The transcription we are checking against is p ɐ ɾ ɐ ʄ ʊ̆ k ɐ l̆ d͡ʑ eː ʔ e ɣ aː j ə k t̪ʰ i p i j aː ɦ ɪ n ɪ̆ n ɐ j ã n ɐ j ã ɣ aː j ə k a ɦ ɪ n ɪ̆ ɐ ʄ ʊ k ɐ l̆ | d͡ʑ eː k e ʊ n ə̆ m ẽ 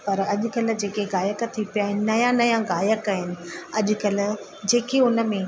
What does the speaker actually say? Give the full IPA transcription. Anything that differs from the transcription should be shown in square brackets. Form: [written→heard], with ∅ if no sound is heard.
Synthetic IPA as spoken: p ɐ ɾ ɐ ʄ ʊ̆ k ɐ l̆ d͡ʑ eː [ʔ→k] e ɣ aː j ə k t̪ʰ i p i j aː ɦ ɪ n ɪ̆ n ɐ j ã n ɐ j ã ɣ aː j ə k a ɦ ɪ n ɪ̆ ɐ ʄ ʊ k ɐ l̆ | d͡ʑ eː k e ʊ n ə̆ m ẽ